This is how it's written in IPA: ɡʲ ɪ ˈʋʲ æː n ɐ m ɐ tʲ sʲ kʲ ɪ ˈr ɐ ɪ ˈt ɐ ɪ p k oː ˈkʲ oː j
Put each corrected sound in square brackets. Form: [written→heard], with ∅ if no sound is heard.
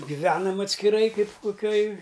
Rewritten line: ɡʲ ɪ ˈʋʲ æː n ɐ m ɐ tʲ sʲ kʲ ɪ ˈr ɐ ɪ [ˈt→ˈk] ɐ ɪ p k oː ˈkʲ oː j